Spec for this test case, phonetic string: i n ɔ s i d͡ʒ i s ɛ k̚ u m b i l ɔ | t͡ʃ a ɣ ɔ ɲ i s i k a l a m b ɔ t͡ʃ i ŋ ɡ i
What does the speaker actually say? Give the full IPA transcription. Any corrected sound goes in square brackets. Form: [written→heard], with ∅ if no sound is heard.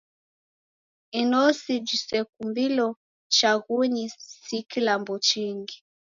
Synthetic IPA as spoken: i n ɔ s i d͡ʒ i s ɛ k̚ u m b i l ɔ | t͡ʃ a ɣ [ɔ→u] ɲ i s i k [a→i] l a m b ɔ t͡ʃ i ŋ ɡ i